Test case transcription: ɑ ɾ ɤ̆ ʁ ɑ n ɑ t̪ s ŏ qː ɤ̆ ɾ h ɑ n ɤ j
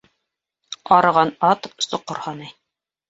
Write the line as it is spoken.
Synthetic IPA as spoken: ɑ ɾ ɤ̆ ʁ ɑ n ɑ t̪ s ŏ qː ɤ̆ ɾ h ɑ n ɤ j